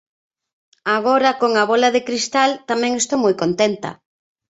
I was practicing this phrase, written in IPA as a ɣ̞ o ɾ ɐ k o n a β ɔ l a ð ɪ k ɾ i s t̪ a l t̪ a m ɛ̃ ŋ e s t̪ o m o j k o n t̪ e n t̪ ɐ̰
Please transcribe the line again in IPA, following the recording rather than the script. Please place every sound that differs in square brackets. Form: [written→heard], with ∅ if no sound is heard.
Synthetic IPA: a ɣ̞ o ɾ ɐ k o [n→ŋ] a β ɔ l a ð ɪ k ɾ i s t̪ a l t̪ a m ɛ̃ ŋ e s t̪ o m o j k o n t̪ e n t̪ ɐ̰